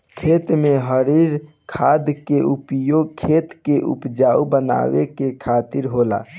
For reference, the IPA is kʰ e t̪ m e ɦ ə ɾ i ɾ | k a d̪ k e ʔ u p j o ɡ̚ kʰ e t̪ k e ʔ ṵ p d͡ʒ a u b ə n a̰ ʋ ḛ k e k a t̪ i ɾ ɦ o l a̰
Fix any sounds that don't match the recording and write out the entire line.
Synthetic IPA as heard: kʰ e t̪ m e ɦ ə ɾ i ɾ | kʰ a d̪ k e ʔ u p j o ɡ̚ kʰ e t̪ k e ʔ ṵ p d͡ʒ a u b ə n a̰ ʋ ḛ k e kʰ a t̪ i ɾ ɦ o l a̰